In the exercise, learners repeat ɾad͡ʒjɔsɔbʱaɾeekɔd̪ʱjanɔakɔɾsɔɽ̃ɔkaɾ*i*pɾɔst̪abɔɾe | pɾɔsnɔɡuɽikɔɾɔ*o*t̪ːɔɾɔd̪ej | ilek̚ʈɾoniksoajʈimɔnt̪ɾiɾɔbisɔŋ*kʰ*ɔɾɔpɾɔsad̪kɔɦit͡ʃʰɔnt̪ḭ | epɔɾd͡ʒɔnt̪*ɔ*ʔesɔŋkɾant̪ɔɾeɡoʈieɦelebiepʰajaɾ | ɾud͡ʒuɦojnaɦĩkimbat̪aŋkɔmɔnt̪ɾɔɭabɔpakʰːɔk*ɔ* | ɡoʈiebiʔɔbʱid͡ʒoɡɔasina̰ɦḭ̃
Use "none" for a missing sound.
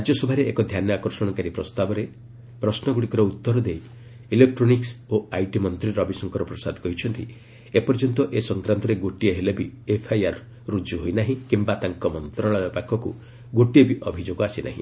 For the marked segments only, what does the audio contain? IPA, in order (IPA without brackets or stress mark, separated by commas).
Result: i, u, k, ɔ, u